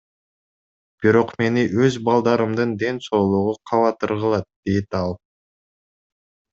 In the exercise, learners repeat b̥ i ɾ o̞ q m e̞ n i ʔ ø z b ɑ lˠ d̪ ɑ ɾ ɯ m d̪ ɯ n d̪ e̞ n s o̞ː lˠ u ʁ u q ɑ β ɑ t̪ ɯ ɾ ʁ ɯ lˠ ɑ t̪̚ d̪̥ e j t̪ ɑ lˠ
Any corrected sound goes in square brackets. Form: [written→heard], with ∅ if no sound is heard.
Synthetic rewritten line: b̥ i ɾ o̞ q m e̞ n i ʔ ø z b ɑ lˠ d̪ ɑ ɾ ɯ m d̪ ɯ n d̪ e̞ n s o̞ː lˠ u ʁ u [q→qʰ] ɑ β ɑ t̪ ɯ ɾ ʁ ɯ lˠ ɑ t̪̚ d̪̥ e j t̪ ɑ lˠ